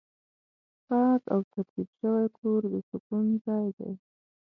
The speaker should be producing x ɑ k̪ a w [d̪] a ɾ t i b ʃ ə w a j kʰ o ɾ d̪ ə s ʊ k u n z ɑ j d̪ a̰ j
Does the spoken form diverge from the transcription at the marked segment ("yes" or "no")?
yes